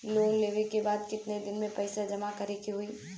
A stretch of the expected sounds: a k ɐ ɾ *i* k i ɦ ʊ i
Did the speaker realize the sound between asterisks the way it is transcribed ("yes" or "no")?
no